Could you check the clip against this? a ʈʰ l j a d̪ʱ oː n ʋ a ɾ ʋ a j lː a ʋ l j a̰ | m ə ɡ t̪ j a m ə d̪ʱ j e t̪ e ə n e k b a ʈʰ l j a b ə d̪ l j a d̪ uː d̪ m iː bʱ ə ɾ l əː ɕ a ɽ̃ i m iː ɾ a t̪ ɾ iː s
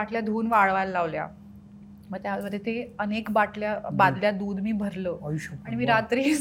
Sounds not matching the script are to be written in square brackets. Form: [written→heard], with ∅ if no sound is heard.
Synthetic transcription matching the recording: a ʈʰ l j a d̪ʱ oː n ʋ a [ɾ→ɭ] ʋ a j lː a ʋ l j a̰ | m ə ɡ t̪ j a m ə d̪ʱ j e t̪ e ə n e k b a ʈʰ l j a b [ə→a] d̪ l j a d̪ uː d̪ m iː bʱ ə ɾ l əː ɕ a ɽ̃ i m iː ɾ a t̪ ɾ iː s